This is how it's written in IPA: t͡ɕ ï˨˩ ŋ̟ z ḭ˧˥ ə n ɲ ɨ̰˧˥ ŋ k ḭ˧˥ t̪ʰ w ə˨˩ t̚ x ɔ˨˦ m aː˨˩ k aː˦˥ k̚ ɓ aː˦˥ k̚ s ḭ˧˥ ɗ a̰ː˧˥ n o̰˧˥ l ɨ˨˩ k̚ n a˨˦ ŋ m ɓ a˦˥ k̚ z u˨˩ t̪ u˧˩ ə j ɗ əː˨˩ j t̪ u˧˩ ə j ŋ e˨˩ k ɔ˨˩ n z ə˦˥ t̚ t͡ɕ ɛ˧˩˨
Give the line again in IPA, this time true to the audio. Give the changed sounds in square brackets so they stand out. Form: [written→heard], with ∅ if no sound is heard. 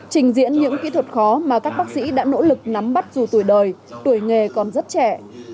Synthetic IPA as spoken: t͡ɕ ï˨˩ ŋ̟ z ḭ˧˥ ə n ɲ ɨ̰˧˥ ŋ k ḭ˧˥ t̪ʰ w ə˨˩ t̚ x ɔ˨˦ m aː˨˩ k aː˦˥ k̚ ɓ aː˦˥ k̚ s ḭ˧˥ ɗ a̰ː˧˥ n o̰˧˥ l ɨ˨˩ k̚ n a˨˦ [ŋ→∅] m ɓ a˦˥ [k̚→t̚] z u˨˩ t̪ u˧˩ ə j ɗ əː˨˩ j t̪ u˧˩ ə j ŋ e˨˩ k ɔ˨˩ n z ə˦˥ t̚ t͡ɕ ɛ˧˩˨